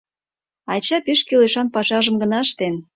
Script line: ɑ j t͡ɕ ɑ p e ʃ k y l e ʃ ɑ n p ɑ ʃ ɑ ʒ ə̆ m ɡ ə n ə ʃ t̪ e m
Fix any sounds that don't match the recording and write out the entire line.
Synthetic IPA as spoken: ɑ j t͡ɕ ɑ p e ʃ k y l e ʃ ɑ n p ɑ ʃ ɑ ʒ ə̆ m ɡ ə n ɑ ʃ t̪ e n

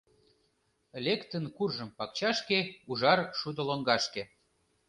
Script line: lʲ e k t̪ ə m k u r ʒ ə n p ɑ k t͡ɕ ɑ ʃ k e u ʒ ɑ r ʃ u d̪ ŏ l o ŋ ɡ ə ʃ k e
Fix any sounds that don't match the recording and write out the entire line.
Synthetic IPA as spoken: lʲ e k t̪ ə n k u r ʒ ə m p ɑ k t͡ɕ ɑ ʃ k e u ʒ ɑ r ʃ u d̪ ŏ l o ŋ ɡ ɑ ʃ k e

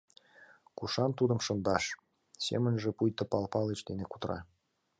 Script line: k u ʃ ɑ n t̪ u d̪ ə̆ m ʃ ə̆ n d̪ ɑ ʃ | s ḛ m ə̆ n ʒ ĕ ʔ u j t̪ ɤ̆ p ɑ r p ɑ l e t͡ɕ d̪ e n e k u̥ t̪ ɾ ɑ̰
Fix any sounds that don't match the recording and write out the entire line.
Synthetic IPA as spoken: k u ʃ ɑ n t̪ u d̪ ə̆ m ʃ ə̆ n d̪ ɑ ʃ | s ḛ m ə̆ n ʒ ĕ p u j t̪ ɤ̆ p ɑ l p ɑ l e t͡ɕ d̪ e n e k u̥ t̪ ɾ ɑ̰

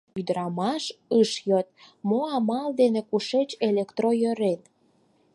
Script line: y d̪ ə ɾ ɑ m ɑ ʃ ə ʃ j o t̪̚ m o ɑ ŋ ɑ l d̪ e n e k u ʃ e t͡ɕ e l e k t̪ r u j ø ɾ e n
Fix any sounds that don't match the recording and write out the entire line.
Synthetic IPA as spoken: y d̪ ə ɾ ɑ m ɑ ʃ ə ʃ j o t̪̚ m o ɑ m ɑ l d̪ e n e k u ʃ e t͡ɕ e l e k t̪ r o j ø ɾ e n

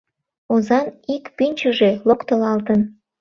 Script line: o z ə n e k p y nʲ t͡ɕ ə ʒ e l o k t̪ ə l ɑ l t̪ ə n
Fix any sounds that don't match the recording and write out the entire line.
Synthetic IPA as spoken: o z ɑ n i k p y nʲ t͡ɕ ə ʒ e l o k t̪ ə l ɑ l t̪ ə n

